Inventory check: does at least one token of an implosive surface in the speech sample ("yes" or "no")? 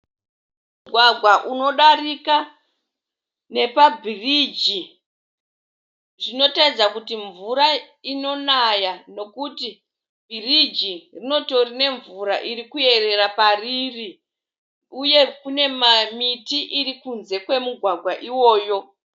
yes